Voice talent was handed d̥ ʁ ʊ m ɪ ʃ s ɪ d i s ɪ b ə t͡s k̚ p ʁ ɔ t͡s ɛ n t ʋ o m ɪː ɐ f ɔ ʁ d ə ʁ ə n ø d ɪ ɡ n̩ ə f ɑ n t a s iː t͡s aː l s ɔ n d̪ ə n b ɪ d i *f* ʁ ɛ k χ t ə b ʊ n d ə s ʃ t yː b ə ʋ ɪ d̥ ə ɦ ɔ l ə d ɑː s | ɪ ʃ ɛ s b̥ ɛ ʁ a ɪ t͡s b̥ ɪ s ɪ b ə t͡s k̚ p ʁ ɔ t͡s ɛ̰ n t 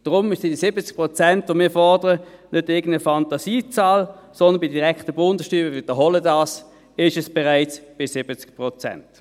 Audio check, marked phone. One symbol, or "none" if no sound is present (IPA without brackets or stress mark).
none